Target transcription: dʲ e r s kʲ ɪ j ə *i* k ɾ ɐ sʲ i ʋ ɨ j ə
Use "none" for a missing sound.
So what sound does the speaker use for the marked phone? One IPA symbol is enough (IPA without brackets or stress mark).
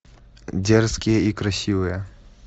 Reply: i